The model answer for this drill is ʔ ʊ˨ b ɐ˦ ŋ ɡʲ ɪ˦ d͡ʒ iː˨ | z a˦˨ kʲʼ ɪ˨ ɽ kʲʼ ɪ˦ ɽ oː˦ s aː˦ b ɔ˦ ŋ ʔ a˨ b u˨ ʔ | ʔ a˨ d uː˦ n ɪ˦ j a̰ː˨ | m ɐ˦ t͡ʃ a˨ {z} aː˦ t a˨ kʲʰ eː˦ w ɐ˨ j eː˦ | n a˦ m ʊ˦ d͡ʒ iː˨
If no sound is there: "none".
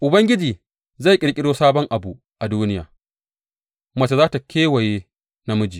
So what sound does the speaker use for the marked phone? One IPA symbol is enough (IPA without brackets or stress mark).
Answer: z